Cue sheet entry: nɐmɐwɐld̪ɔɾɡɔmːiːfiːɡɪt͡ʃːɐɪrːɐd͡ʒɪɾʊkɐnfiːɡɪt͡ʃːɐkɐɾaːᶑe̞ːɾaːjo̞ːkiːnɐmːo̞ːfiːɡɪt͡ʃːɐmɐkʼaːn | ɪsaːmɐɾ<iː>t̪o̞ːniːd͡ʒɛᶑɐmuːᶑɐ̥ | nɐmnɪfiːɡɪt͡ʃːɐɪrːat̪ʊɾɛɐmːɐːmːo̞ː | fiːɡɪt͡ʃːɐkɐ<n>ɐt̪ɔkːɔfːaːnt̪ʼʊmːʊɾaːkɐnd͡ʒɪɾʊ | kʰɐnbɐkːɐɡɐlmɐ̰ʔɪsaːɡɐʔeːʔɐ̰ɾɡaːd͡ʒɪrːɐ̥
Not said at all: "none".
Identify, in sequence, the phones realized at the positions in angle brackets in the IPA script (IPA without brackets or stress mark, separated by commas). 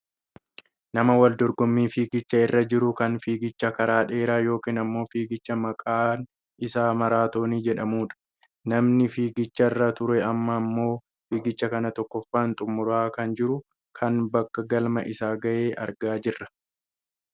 aː, n